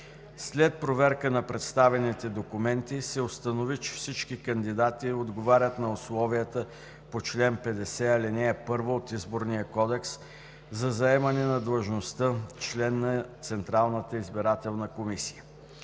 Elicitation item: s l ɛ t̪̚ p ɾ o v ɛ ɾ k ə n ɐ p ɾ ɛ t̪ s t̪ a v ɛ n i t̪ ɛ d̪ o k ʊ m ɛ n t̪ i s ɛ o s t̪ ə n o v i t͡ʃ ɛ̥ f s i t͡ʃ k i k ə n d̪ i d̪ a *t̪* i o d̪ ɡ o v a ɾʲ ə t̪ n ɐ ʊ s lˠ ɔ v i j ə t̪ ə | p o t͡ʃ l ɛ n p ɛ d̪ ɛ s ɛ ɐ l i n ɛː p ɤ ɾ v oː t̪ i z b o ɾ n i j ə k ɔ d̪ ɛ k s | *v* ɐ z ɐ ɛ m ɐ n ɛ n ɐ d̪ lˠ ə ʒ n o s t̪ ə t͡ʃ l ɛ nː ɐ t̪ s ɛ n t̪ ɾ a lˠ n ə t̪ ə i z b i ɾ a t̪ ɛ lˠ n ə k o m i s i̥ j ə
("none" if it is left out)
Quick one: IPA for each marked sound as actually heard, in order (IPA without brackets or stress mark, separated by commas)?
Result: t̪, z